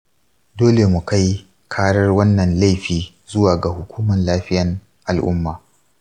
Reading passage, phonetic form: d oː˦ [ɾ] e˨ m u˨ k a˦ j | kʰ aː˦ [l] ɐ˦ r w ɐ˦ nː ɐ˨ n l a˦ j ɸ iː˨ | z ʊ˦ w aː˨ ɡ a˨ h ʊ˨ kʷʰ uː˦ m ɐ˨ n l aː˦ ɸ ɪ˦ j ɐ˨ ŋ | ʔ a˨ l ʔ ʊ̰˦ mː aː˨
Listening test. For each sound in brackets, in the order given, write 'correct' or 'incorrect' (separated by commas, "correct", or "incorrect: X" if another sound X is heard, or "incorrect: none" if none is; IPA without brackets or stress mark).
incorrect: l, incorrect: ɽ